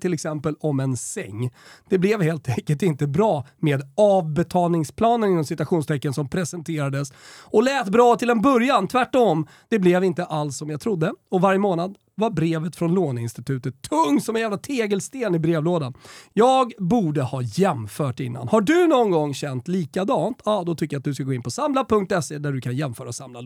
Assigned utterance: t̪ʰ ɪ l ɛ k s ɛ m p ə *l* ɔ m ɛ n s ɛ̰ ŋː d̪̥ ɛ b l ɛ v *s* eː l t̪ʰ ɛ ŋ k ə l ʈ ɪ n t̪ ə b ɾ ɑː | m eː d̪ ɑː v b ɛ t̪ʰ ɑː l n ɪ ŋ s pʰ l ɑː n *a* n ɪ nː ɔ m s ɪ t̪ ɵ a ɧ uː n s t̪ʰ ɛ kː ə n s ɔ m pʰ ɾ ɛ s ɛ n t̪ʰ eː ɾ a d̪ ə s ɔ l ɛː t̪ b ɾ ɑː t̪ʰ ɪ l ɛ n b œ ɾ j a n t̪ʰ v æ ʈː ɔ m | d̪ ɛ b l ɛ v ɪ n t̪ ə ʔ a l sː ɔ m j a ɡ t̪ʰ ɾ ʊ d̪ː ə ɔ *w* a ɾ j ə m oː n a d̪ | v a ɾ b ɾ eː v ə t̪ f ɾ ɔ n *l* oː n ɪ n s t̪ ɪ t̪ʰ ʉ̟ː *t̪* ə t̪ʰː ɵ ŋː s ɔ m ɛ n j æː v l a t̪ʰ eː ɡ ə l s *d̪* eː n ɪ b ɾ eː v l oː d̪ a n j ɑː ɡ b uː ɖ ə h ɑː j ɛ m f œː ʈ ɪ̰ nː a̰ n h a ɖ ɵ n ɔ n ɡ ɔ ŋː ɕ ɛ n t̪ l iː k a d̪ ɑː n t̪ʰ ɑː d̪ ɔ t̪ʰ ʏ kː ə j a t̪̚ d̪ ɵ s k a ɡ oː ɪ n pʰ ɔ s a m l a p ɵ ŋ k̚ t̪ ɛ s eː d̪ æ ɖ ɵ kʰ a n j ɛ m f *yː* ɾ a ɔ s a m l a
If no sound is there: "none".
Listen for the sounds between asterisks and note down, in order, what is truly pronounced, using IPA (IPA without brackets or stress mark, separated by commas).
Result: l, h, ə, v, l, t̪, t̪, œː